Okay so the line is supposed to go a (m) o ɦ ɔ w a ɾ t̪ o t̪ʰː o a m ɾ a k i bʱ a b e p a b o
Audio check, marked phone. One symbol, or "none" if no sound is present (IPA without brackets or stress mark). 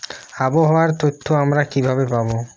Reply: b